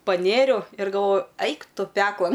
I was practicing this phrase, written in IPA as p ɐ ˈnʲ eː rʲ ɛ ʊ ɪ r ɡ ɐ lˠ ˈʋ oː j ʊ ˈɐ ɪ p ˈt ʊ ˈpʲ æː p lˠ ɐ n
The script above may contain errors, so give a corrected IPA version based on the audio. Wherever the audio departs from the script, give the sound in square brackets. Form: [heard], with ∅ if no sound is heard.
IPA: p ɐ ˈnʲ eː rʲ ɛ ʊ ɪ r ɡ ɐ lˠ ˈʋ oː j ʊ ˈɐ ɪ [k] ˈt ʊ ˈpʲ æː [k] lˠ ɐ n